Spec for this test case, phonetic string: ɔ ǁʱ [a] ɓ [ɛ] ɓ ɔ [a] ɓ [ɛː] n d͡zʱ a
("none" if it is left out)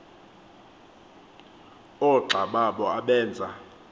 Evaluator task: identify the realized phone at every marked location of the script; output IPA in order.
a, a, a, ɛː

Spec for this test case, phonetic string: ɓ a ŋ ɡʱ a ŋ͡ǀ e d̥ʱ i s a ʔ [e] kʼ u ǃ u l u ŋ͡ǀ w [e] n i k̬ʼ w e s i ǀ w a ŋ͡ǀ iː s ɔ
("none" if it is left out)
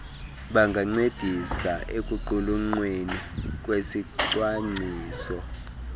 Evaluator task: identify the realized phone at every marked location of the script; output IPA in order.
e, e

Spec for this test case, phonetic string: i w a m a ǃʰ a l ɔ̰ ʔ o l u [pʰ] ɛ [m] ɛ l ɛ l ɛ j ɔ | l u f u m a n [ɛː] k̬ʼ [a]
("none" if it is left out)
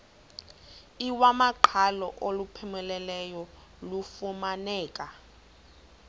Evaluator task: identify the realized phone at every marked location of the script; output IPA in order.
pʰ, m, ɛː, a

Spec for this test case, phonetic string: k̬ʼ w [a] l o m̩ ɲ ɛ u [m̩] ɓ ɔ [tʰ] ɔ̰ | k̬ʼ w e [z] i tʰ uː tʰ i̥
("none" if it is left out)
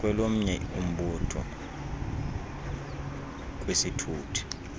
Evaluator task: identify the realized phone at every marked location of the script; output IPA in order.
ɛ, m̩, tʰ, s

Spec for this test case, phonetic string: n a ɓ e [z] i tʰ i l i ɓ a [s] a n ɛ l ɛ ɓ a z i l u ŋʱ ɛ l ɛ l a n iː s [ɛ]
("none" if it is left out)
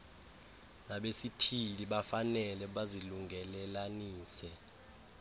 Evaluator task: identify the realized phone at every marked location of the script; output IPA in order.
s, f, ɛ

